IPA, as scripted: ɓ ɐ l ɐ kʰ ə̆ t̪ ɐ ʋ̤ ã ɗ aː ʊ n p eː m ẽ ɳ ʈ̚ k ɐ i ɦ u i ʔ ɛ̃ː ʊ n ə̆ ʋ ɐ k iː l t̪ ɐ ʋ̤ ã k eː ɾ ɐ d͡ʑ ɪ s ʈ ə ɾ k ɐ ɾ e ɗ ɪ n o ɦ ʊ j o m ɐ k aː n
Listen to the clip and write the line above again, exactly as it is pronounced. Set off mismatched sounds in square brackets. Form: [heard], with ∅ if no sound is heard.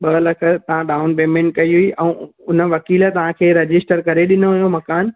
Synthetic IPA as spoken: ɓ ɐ l ɐ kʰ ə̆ t̪ ɐ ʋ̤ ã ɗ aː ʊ n p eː m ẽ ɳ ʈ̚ k ɐ i ɦ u i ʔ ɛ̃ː ʊ n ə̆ ʋ ɐ k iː l t̪ ɐ ʋ̤ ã [kʰ] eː ɾ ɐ d͡ʑ ɪ s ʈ ə ɾ k ɐ ɾ e ɗ ɪ n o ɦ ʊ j o m ɐ k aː n